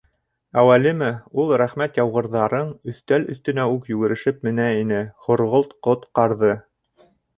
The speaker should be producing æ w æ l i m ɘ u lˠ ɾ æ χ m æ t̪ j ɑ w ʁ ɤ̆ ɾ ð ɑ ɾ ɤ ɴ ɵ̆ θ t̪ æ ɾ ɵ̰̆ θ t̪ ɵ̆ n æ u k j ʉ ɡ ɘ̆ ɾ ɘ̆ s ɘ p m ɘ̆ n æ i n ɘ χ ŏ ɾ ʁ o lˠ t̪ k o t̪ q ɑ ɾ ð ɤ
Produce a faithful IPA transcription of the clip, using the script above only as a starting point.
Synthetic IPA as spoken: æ w æ l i m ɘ u lˠ ɾ æ χ m æ t̪ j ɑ w ʁ ɤ̆ ɾ ð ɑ ɾ ɤ ɴ ɵ̆ θ t̪ æ l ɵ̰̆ θ t̪ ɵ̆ n æ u k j ʉ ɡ ɘ̆ ɾ ɘ̆ ʃ ɘ p m ɘ̆ n æ i n ɘ χ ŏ ɾ ʁ o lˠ t̪ q o t̪ q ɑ ɾ ð ɤ